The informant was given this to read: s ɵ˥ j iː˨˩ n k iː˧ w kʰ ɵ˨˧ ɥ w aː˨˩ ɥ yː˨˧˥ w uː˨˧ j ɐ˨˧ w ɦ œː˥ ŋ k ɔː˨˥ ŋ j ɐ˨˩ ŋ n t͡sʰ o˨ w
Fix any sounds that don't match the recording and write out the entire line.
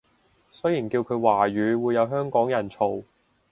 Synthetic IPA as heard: s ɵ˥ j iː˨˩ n k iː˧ w kʰ ɵ˨˧ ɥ w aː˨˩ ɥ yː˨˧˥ w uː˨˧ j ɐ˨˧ w ɦ œː˥ ŋ k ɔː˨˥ ŋ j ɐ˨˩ n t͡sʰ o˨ w